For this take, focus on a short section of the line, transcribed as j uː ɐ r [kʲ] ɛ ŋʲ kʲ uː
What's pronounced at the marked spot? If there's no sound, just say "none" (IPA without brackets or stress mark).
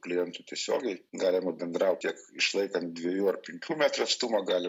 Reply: pʲ